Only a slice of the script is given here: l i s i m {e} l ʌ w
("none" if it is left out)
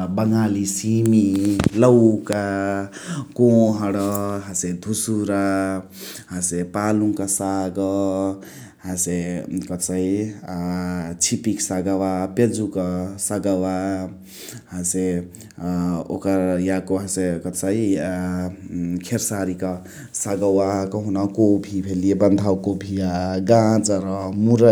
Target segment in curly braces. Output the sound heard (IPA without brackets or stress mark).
i